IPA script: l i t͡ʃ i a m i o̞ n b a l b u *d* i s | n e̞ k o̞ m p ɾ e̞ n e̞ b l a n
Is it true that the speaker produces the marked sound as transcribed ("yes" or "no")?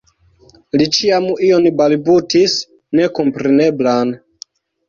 no